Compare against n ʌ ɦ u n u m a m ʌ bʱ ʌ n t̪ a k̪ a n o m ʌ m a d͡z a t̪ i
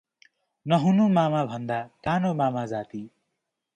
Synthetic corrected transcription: n ʌ ɦ u n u m a m a bʱ ʌ n d̪ a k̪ a n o m a m a d͡z a t̪ i